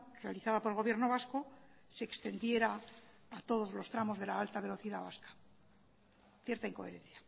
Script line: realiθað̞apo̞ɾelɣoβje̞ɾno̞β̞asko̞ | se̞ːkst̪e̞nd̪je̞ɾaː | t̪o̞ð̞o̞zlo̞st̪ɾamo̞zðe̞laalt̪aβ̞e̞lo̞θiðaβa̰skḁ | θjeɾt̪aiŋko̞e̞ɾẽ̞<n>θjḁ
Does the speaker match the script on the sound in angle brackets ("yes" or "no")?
yes